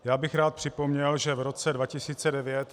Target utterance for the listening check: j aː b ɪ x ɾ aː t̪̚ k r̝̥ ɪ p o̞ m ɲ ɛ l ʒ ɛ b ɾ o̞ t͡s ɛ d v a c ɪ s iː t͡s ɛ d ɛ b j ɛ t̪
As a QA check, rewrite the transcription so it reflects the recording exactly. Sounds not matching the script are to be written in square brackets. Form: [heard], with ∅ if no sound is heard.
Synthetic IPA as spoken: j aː b ɪ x ɾ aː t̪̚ [p] r̝̥ ɪ p o̞ m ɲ ɛ l ʒ ɛ [v] ɾ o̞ t͡s ɛ d v a c ɪ s iː t͡s ɛ d ɛ [v] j ɛ t̪